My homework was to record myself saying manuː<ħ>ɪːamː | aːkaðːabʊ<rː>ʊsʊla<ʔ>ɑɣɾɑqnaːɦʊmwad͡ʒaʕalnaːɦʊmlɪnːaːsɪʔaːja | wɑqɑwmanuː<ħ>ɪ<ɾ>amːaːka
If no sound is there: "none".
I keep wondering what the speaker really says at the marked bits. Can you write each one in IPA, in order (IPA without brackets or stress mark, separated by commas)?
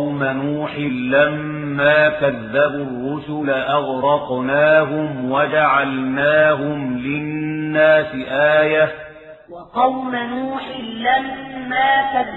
ħ, rː, ʔ, ħ, l